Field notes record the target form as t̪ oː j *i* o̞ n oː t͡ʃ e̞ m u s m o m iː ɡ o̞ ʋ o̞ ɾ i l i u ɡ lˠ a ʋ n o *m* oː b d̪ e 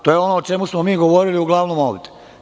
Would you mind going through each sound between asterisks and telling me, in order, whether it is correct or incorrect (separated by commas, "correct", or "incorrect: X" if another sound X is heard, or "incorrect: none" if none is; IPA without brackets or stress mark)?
incorrect: e, correct